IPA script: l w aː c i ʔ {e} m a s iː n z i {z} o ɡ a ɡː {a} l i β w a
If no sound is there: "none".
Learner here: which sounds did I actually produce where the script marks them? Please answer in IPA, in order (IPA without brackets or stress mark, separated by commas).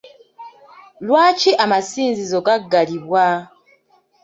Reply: a, z, a